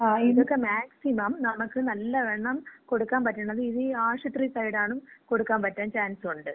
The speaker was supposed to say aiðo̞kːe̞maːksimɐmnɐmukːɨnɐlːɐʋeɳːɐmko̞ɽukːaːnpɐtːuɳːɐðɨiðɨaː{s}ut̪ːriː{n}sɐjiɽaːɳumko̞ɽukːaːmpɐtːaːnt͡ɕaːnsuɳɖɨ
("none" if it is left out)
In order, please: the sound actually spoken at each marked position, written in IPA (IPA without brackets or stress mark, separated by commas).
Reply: ʂ, none